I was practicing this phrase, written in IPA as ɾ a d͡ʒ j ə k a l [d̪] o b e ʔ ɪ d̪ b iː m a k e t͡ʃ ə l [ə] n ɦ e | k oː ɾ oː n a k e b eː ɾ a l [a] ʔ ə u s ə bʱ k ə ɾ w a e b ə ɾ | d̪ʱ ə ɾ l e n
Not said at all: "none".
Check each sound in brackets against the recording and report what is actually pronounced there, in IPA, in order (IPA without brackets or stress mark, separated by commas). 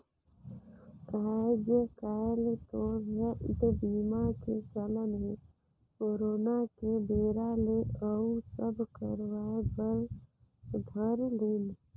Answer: t̪, ə, e